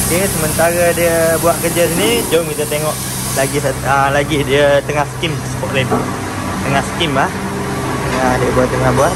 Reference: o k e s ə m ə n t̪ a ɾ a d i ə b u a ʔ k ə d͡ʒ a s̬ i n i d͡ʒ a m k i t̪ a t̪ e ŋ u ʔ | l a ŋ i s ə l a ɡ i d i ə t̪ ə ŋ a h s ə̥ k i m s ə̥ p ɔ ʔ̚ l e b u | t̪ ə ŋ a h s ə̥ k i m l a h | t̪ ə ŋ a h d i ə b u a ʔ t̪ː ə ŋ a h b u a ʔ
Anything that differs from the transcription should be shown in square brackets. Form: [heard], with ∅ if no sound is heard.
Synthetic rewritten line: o k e s ə m ə n t̪ a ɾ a d i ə b u a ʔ k ə d͡ʒ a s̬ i n i d͡ʒ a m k i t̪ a t̪ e ŋ [ɔ] ʔ | l a [ɡ] i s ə l a ɡ i d i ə t̪ ə ŋ a h s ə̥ k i m s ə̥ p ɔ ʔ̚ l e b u | t̪ ə ŋ a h s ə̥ k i m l a h | t̪ ə ŋ a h d i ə b u a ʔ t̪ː ə ŋ a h b u a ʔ